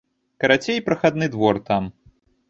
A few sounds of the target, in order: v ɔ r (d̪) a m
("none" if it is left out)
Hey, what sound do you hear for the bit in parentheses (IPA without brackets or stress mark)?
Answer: t̪